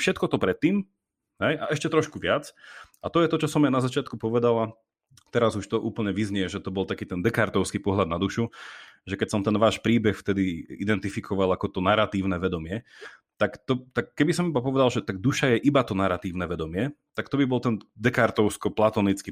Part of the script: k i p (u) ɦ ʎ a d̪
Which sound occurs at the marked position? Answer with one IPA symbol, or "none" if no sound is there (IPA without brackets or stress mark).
ɔ